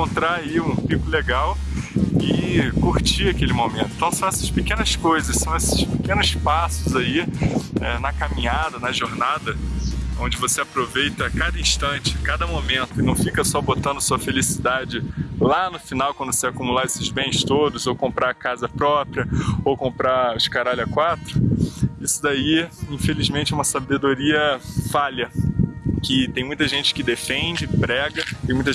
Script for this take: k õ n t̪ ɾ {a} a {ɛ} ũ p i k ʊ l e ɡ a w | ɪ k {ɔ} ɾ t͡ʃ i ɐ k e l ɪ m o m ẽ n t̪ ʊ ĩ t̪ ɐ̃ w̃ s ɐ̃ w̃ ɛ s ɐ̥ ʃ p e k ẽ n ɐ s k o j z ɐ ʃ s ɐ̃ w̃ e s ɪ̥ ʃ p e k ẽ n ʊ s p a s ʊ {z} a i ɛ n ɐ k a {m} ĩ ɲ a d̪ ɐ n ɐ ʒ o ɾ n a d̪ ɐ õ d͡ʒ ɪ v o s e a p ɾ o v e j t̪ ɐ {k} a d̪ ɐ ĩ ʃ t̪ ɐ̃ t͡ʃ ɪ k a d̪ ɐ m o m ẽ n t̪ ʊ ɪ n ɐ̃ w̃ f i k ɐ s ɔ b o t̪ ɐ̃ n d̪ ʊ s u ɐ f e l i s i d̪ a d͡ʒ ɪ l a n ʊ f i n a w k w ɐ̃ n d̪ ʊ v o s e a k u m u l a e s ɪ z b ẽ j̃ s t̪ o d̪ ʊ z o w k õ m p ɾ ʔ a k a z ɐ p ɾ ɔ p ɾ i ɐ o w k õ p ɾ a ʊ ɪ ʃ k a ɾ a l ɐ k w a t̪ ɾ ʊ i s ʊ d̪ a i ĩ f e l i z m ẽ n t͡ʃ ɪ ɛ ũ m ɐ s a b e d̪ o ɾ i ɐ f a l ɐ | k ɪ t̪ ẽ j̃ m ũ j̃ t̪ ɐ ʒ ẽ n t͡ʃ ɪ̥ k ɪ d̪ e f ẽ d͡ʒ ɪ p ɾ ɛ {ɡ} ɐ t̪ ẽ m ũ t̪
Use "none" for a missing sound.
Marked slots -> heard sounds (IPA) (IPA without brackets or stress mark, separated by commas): a, i, u, z, m, k, ɡ